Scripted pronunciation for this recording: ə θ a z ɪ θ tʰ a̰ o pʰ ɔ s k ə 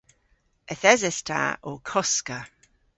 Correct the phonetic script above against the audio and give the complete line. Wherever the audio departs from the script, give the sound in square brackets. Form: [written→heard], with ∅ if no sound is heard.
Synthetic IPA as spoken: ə θ [a→ɛ] z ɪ [θ→s] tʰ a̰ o [pʰ→kʰ] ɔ s k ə